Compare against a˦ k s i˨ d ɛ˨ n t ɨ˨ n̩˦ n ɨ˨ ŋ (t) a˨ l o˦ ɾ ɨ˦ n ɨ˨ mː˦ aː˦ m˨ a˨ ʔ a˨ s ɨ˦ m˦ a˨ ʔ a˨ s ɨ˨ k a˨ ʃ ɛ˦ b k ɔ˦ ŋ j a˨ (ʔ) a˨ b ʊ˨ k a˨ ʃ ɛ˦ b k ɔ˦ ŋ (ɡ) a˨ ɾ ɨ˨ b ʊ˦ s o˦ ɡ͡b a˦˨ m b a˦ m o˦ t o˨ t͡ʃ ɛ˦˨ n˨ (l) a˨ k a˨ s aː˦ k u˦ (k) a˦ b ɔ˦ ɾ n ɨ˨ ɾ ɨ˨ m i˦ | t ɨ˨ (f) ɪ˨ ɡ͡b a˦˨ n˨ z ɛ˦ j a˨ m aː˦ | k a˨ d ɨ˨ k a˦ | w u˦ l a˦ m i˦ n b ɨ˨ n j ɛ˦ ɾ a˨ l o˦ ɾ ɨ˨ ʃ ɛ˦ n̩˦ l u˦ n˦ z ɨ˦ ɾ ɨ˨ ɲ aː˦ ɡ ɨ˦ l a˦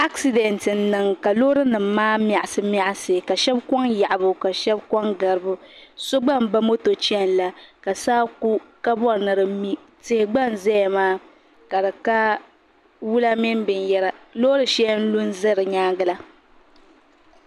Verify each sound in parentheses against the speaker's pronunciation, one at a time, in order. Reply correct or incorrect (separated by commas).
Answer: incorrect, correct, correct, correct, correct, incorrect